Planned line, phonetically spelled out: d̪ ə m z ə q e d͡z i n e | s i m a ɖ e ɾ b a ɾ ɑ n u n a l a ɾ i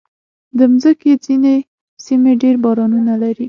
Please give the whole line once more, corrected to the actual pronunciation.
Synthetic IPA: d̪ ə m z ə k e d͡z i n e | s i m e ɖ e ɾ b ɑ ɾ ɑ n u n a l a ɾ i